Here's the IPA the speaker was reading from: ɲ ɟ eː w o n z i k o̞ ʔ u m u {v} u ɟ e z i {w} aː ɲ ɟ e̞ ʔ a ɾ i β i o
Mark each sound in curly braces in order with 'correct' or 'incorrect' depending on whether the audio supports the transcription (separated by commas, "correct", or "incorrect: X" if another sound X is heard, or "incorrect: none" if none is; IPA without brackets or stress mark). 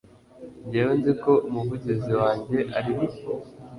correct, correct